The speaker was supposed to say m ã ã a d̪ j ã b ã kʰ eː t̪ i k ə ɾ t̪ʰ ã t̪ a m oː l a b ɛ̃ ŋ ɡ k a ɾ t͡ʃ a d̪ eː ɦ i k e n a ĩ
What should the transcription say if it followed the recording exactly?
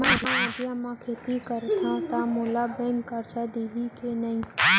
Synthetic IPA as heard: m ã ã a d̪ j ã m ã kʰ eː t̪ i k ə ɾ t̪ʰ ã t̪ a m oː l a b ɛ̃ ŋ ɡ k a ɾ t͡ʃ a d̪ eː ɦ i k e n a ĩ